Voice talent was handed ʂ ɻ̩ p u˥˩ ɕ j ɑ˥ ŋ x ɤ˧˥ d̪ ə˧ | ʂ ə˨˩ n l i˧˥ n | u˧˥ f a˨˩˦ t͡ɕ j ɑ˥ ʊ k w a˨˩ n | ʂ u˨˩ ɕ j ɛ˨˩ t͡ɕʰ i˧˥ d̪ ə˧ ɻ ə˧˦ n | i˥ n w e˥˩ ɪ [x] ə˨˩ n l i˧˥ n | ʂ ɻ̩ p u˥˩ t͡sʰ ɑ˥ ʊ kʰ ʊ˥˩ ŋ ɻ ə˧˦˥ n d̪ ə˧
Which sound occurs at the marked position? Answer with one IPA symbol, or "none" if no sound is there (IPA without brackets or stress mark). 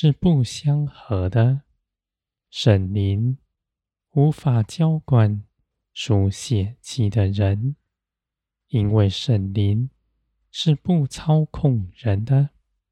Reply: ʂ